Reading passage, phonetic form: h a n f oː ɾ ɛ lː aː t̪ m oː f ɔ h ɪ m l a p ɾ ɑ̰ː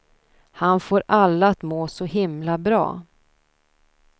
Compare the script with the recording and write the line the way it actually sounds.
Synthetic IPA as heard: h a n f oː ɾ a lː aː t̪ m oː s ɔ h ɪ m l a b ɾ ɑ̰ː

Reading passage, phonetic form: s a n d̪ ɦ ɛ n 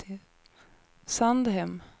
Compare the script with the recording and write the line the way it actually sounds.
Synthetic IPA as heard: s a n d̪ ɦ ɛ m

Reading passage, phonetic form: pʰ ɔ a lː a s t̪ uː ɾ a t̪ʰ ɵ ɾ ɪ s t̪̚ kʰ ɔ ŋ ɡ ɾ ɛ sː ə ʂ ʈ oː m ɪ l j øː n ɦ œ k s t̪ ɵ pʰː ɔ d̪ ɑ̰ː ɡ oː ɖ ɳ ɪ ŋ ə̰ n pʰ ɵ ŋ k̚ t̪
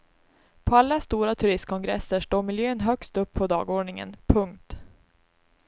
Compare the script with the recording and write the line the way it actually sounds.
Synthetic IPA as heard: pʰ ɔ a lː a s t̪ uː ɾ a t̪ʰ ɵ ɾ ɪ s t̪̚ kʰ ɔ ŋ ɡ ɾ ɛ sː ə ʂ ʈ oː m ɪ l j øː n ɦ œ k s t̪ ɵ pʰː ɔ d̪ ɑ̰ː ɡ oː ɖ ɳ ɪ ŋ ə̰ n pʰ ɵ ŋ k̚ t̪

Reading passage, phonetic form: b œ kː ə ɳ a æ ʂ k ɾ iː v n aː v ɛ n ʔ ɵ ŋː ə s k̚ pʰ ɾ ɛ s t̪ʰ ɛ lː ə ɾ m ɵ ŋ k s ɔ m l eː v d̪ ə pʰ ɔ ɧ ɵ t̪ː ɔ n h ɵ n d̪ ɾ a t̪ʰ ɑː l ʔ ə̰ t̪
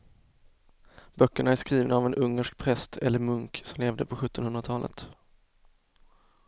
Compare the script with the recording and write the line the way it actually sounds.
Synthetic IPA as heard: b œ kː ə ɳ a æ ʂ k ɾ iː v n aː v ɛ n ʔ ɵ ŋː ə ʂ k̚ pʰ ɾ ɛ s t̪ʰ ɛ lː ə ɾ m ɵ ŋ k s ɔ m l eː v d̪ ə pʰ ɔ ɧ ɵ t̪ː ɔ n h ɵ n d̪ ɾ a t̪ʰ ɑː l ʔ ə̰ t̪

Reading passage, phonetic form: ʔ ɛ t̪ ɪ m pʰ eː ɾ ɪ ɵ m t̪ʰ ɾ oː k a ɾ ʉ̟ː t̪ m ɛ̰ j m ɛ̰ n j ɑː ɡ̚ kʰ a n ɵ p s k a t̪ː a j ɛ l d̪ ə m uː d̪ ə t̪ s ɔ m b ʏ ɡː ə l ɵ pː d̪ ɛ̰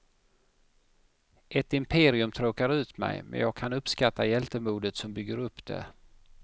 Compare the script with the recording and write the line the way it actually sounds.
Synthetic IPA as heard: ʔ ɛ t̪ ɪ m pʰ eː ɾ ɪ ɵ m t̪ʰ ɾ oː k a ɾ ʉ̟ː t̪ m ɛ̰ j m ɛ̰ n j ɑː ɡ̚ kʰ a n ɵ p s k a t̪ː a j ɛ l t̪ ə m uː d̪ ə t̪ s ɔ m b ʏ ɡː ə ɾ ɵ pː d̪ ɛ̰

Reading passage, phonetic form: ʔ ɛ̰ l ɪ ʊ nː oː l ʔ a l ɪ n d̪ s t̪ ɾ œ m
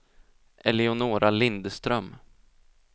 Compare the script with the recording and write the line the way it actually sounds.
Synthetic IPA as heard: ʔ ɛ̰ l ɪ ʊ n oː ɾ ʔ a l ɪ n d̪ s t̪ ɾ œ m

